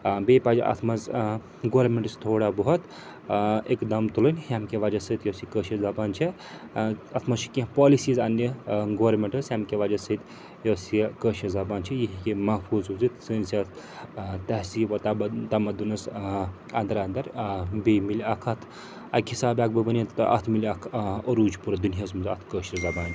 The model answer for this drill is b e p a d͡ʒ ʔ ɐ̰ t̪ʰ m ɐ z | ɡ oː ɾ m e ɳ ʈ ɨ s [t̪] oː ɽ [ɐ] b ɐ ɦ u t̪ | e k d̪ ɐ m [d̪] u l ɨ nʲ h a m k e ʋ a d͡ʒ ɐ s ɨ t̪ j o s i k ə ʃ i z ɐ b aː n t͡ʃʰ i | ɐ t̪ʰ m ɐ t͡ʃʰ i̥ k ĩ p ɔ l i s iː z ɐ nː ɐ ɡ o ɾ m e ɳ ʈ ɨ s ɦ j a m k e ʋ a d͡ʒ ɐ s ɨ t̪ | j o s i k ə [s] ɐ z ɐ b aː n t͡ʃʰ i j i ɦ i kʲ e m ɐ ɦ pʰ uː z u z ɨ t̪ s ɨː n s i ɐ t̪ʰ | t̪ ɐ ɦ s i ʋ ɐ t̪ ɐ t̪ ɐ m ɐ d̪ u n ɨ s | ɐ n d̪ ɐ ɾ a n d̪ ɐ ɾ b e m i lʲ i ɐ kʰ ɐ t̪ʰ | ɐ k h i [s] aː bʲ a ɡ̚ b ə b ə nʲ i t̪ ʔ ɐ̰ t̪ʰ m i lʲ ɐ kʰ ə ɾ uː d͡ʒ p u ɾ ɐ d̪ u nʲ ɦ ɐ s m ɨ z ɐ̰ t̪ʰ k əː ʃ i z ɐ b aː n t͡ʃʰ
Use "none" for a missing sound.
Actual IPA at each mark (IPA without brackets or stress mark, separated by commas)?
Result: t̪ʰ, a, t̪, ʃ, s